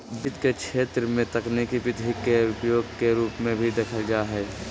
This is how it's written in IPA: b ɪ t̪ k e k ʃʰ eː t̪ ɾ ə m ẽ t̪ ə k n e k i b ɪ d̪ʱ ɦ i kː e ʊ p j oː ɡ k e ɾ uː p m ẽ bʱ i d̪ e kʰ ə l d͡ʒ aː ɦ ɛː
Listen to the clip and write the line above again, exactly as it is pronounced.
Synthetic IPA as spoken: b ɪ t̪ k e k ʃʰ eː t̪ ɾ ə m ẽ t̪ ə k n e k i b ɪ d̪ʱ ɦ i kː e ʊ p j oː ɡ k e ɾ uː p m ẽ bʱ i d̪ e kʰ ə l d͡ʒ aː ɦ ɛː